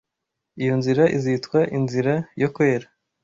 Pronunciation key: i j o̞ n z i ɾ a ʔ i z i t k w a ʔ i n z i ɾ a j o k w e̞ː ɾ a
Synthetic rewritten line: i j o̞ n z i ɾ a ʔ i z i t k w a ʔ i n z i ɾ a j o k w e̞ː ɾ a